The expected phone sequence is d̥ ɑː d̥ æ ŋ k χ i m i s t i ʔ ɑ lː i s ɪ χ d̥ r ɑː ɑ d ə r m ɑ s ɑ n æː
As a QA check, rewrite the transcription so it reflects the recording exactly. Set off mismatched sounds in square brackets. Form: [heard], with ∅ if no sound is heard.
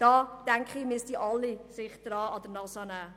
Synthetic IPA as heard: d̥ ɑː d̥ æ ŋ k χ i m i s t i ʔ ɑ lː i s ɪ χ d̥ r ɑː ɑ d ə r [n] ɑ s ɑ n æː

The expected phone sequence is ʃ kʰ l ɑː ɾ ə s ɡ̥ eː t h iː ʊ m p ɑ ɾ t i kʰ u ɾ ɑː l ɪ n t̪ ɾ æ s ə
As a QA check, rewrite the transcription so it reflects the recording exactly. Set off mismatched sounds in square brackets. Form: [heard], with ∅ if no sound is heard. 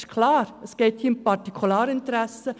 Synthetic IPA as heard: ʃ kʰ l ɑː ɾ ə s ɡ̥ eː t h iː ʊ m p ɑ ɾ t i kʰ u [l] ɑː [ɾ] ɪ n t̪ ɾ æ s ə

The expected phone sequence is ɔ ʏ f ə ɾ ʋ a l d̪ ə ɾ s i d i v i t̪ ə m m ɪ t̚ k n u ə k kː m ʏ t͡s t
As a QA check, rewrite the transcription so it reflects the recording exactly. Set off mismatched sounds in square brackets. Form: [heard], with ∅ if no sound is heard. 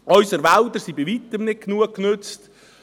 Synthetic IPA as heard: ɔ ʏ [s] ə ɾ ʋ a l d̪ ə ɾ s i [b] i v i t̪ ə m [n] ɪ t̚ k n u ə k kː [n] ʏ t͡s t

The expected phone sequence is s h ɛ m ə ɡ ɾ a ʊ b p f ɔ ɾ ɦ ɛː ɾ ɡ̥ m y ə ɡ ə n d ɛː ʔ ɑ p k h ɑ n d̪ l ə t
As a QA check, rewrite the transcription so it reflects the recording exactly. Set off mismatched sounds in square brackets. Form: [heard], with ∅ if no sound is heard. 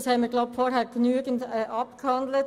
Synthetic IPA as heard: s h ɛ m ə ɡ [l] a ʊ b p f ɔ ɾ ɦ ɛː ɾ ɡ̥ [n] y ə ɡ ə n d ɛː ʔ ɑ p k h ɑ n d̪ l ə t

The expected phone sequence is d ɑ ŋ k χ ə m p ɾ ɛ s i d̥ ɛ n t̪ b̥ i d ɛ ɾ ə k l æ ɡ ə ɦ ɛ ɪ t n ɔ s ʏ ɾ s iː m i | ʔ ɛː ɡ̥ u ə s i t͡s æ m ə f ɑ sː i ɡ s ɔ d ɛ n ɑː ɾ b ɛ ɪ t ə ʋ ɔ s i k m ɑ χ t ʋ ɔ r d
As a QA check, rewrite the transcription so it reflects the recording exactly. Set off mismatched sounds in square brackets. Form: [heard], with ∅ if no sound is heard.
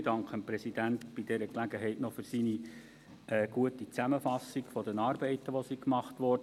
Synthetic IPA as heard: d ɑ ŋ k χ ə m p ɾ ɛ s i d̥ [æ] n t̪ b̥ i d ɛ ɾ ə k l æ ɡ ə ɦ ɛ ɪ t n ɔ [f] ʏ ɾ s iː [n] i | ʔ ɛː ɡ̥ u ə [t] i t͡s æ m ə f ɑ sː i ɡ [f] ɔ d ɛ n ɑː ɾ b ɛ ɪ t ə ʋ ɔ s i k m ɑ χ t ʋ ɔ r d

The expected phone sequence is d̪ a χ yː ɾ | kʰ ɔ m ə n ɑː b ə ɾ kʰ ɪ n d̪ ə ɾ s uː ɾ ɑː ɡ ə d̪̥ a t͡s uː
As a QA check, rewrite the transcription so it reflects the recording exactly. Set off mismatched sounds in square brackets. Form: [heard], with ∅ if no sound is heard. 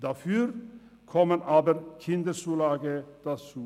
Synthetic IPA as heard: d̪ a [f] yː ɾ | kʰ ɔ m ə n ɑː b ə ɾ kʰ ɪ n d̪ ə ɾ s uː [l] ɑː ɡ ə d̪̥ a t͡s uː

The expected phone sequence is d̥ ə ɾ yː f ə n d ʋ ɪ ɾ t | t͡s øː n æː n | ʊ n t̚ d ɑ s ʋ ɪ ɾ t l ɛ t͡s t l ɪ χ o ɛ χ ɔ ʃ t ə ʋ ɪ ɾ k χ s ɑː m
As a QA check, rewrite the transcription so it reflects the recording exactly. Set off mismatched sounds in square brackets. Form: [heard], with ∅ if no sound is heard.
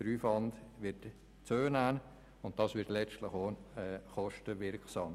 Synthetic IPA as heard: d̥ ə ɾ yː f [ɑ] n d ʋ ɪ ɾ t | t͡s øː n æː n | ʊ n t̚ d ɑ s ʋ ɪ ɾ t l ɛ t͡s t l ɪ χ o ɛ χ ɔ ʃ t ə ʋ ɪ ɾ k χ s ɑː m

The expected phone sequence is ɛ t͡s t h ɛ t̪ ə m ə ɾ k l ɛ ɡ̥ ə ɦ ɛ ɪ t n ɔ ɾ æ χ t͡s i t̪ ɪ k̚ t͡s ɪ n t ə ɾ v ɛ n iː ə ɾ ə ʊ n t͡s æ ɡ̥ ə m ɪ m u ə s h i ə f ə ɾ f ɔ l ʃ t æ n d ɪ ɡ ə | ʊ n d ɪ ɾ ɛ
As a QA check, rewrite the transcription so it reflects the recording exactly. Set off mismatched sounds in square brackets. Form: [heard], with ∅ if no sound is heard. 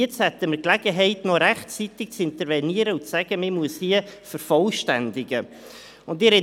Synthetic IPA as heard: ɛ t͡s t h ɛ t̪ ə m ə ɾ k l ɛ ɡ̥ ə ɦ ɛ ɪ t n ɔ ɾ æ χ t͡s i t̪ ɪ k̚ t͡s ɪ n t ə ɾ v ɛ n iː ə ɾ ə ʊ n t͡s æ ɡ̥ ə m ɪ m u ə s h i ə f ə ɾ f ɔ l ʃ t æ n d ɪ ɡ ə | ʊ n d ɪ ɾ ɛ

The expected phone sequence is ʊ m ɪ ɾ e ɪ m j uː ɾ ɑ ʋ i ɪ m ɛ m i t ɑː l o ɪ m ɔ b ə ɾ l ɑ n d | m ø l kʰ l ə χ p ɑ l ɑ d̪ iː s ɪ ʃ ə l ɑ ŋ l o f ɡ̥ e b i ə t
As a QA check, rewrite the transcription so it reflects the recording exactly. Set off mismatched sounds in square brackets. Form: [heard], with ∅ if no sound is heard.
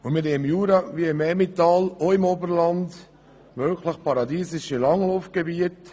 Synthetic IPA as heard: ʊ m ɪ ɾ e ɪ m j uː ɾ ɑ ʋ i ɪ m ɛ m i t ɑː l o ɪ m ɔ b ə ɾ l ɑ n d | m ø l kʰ l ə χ p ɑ [ɾ] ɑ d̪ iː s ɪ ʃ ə l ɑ ŋ l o f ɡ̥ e b i ə t

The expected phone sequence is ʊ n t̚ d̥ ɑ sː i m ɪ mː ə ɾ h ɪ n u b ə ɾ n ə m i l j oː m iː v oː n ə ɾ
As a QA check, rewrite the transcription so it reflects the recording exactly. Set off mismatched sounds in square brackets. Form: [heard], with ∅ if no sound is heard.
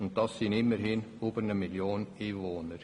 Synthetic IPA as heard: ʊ n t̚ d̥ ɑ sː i [n] ɪ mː ə ɾ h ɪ n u b ə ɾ n ə m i l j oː [n] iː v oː n ə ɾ

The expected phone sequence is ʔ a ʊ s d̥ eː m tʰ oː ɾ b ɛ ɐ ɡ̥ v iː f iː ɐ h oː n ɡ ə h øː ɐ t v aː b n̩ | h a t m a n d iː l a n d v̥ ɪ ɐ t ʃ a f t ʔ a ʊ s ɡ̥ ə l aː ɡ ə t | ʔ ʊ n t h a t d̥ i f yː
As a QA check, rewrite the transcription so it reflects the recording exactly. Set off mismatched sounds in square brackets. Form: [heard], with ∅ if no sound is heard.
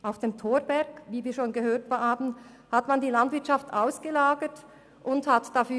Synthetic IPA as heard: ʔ a ʊ [f] d̥ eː m tʰ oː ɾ b ɛ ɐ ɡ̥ v iː [v] iː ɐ [ʃ] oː n ɡ ə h øː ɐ t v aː b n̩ | h a t m a n d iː l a n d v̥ ɪ ɐ t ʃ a f t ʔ a ʊ s ɡ̥ ə l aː ɡ ə t | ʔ ʊ n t h a t d̥ [a] f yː

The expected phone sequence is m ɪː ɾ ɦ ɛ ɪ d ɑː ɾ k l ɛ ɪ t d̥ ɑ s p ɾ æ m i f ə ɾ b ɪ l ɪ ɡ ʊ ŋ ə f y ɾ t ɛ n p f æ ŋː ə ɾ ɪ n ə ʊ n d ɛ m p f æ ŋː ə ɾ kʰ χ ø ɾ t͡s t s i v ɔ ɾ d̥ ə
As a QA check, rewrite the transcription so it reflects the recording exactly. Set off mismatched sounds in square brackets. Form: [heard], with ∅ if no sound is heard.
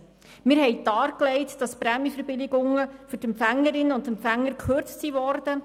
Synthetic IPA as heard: m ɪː ɾ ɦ ɛ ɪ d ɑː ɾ k l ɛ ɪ t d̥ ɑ s p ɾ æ m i f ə ɾ b ɪ l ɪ ɡ ʊ ŋ ə f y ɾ t ɛ [m] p f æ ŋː ə ɾ ɪ n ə ʊ n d ɛ m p f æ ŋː ə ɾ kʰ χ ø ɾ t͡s t s i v ɔ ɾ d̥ ə

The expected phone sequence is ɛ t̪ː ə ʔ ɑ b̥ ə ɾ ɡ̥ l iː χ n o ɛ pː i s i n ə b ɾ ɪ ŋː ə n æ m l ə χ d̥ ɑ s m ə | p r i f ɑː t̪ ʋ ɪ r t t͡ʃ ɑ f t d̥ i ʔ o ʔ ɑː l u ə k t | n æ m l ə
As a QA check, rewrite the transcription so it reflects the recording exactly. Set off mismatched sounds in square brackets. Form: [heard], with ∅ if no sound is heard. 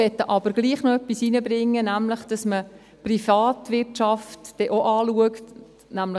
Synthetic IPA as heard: ɛ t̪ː ə ʔ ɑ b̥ ə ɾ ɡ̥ l iː χ n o [œ] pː i s i n ə b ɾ ɪ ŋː ə n æ m l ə χ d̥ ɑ s m ə | p r i f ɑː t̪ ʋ ɪ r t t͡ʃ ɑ f t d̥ [ɛ] ʔ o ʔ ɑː l u ə k t | n æ m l ə

